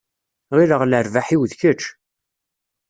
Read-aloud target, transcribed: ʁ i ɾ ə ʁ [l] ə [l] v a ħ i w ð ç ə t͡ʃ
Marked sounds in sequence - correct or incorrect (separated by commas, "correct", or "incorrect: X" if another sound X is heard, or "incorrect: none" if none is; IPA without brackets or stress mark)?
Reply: correct, incorrect: ɾ